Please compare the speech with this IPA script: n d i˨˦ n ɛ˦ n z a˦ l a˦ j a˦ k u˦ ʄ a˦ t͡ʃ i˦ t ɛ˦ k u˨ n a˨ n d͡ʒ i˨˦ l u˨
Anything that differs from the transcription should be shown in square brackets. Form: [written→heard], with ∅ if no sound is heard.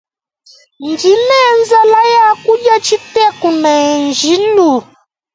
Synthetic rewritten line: n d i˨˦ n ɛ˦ n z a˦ l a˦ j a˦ k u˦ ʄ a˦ t͡ʃ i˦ t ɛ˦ k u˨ n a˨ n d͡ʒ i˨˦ l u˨